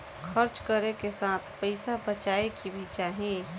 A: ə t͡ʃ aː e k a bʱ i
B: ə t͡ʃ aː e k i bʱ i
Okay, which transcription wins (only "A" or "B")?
B